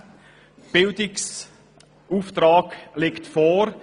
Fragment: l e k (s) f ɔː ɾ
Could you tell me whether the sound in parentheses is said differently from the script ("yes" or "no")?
yes